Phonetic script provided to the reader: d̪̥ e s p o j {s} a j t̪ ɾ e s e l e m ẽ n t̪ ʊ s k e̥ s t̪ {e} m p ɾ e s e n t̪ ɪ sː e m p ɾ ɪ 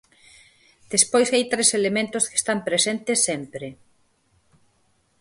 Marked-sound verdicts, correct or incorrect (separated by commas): correct, incorrect